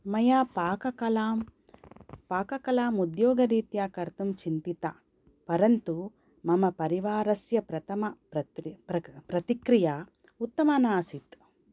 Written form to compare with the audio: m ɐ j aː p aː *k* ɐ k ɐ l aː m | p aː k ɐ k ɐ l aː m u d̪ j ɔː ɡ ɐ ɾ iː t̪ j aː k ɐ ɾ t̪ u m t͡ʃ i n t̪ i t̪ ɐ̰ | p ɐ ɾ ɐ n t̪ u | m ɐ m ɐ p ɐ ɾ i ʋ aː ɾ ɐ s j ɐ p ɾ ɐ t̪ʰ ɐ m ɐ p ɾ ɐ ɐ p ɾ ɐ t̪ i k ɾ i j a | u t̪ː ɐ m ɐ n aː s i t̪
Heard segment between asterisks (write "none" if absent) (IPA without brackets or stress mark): k